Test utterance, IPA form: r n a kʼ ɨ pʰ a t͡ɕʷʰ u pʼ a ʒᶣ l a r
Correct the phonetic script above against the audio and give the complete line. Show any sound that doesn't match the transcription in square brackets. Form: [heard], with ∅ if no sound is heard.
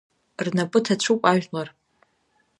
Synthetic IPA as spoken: r n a [pʼ] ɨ [tʰ] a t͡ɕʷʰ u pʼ a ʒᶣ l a r